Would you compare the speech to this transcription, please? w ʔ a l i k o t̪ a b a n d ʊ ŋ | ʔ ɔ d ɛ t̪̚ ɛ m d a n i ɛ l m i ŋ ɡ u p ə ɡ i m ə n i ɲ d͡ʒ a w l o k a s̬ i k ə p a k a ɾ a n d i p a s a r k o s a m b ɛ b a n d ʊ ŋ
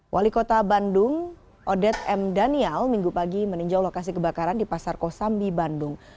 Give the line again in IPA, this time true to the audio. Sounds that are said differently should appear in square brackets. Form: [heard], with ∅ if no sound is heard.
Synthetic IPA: w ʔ a l i k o t̪ a b a n d ʊ ŋ | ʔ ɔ d ɛ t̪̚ ɛ m d a n i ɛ l m i ŋ ɡ u p [a] ɡ i m ə n i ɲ d͡ʒ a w l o k a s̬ i k ə [b] a k a ɾ a n d i p a s a r k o s a m b [i] b a n d ʊ ŋ